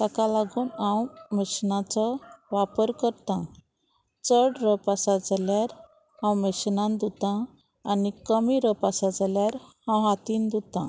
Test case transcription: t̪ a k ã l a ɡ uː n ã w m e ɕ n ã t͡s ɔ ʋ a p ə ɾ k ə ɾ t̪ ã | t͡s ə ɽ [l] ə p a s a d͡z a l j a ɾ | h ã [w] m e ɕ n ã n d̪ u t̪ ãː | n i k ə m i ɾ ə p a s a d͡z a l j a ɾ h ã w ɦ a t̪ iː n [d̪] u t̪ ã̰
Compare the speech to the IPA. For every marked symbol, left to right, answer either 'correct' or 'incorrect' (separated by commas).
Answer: incorrect, correct, correct